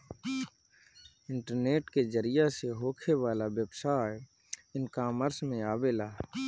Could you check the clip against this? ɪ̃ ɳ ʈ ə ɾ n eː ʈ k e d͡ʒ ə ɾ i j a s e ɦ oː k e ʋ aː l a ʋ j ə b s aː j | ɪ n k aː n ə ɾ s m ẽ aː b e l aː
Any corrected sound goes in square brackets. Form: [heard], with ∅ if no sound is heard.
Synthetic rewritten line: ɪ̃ ɳ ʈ ə ɾ n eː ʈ k e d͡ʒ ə ɾ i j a s e ɦ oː [kʰ] e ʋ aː l a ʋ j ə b s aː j | ɪ n k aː [m] ə ɾ s m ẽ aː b e l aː